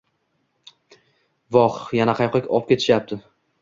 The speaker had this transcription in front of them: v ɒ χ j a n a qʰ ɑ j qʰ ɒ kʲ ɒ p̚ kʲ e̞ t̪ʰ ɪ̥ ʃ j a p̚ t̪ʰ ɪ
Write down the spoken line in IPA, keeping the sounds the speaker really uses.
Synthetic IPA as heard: v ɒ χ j a n a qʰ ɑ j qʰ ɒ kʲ ɒ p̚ kʲ e̞ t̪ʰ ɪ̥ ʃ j a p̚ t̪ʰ ɪ